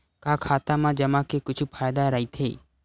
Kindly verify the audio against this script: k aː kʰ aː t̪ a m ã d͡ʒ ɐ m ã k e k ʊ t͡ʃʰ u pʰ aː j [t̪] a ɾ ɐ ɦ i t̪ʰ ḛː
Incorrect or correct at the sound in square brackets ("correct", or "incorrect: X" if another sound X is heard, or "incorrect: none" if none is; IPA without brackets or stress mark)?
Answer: incorrect: d̪